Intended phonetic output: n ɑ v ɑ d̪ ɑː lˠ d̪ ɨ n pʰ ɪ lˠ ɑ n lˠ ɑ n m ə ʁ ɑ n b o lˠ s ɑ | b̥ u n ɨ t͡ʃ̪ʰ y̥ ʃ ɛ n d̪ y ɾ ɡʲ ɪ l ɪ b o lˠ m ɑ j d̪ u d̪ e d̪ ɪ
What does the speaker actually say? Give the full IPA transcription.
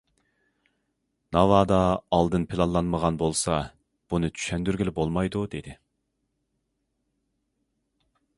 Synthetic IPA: n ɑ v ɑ d̪ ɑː lˠ d̪ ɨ n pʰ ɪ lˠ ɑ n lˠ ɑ n m ə ʁ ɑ n b o lˠ s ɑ | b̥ u n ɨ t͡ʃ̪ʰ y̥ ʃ ɛ n d̪ y ɾ ɡʲ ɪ l ɪ b o lˠ m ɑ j d̪ u d̪ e d̪ ɪ